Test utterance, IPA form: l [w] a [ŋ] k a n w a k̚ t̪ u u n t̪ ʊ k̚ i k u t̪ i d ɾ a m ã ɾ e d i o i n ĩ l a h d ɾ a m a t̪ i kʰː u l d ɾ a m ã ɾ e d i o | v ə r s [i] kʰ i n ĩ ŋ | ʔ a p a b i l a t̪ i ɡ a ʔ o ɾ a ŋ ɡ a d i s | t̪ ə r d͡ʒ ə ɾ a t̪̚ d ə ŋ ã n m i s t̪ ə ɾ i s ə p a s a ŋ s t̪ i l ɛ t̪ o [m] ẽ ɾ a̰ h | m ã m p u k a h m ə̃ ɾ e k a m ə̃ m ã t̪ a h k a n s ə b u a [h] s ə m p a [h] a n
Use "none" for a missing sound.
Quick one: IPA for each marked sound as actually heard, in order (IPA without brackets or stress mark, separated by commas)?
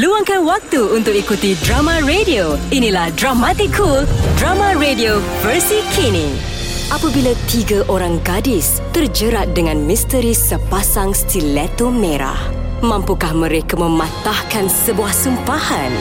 u, ŋ, i, m, h, h